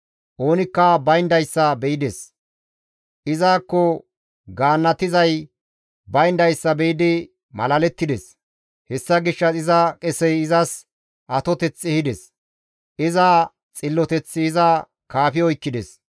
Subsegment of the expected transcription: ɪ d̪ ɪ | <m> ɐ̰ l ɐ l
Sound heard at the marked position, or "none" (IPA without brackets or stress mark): m